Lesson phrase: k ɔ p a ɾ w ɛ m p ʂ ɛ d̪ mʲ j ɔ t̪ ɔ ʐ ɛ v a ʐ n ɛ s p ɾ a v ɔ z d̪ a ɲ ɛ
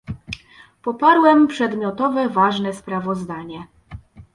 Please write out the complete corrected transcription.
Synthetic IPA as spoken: p ɔ p a ɾ w ɛ m p ʂ ɛ d̪ mʲ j ɔ t̪ ɔ v ɛ v a ʐ n ɛ s p ɾ a v ɔ z d̪ a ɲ ɛ